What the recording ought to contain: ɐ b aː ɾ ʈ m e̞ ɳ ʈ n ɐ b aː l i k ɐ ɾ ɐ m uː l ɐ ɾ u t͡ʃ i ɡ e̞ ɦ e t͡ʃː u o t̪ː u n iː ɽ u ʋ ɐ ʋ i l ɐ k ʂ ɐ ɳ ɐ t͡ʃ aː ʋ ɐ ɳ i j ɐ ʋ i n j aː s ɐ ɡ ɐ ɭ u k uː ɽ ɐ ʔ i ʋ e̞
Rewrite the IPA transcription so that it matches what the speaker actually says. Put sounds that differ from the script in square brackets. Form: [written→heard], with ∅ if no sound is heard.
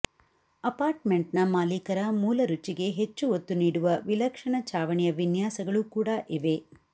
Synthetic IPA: ɐ [b→p] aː ɾ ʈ m e̞ ɳ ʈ n ɐ [b→m] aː l i k ɐ ɾ ɐ m uː l ɐ ɾ u t͡ʃ i ɡ e̞ ɦ e t͡ʃː u o t̪ː u n iː ɽ u ʋ ɐ ʋ i l ɐ k ʂ ɐ ɳ ɐ t͡ʃ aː ʋ ɐ ɳ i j ɐ ʋ i n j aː s ɐ ɡ ɐ ɭ u k uː ɽ ɐ ʔ i ʋ e̞

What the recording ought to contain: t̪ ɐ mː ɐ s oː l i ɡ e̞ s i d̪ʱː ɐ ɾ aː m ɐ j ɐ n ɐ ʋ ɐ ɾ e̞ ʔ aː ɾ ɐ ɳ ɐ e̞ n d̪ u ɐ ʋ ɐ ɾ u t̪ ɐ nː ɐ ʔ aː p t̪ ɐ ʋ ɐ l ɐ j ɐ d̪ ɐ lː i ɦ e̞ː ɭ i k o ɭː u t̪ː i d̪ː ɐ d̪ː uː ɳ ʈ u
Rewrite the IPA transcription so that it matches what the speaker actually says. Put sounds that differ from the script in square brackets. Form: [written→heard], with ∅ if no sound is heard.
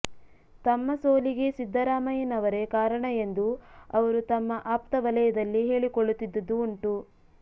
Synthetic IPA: t̪ ɐ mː ɐ s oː l i ɡ e̞ s i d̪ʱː ɐ ɾ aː m ɐ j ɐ n ɐ ʋ ɐ ɾ e̞ [ʔ→k] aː ɾ ɐ ɳ ɐ e̞ n d̪ u ɐ ʋ ɐ ɾ u t̪ ɐ [nː→mː] ɐ ʔ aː p t̪ ɐ ʋ ɐ l ɐ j ɐ d̪ ɐ lː i ɦ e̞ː ɭ i k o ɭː u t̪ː i d̪ː ɐ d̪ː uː ɳ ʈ u

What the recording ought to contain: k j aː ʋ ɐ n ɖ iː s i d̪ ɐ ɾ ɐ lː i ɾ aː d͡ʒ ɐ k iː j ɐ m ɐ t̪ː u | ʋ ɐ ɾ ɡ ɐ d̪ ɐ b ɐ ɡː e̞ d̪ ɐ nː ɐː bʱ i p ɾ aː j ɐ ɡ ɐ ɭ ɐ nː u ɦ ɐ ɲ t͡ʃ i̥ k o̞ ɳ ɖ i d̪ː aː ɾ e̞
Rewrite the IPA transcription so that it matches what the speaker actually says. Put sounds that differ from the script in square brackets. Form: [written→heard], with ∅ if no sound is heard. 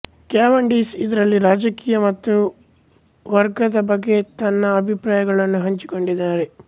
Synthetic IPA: k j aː ʋ ɐ [n→ɳ] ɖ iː s i d̪ ɐ ɾ ɐ lː i ɾ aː d͡ʒ ɐ k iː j ɐ m ɐ t̪ː u | ʋ ɐ ɾ ɡ ɐ d̪ ɐ b ɐ ɡː e̞ [d̪→t̪] ɐ nː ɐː bʱ i p ɾ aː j ɐ ɡ ɐ ɭ ɐ nː u ɦ ɐ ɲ t͡ʃ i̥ k o̞ ɳ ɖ i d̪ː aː ɾ e̞

